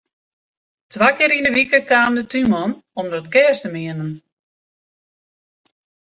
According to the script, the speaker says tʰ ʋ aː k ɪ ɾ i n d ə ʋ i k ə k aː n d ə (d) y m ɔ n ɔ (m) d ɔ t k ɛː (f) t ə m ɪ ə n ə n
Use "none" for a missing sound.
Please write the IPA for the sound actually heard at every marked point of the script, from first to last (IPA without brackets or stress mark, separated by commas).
t, m, s